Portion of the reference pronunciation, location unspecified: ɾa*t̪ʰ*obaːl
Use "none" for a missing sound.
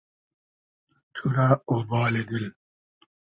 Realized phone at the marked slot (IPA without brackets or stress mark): none